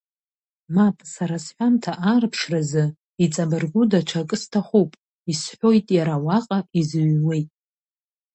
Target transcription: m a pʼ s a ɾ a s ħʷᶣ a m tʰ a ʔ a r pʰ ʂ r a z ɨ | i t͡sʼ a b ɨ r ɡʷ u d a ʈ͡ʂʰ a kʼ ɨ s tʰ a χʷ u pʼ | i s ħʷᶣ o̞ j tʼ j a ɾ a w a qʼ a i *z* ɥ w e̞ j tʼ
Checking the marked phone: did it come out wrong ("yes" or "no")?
no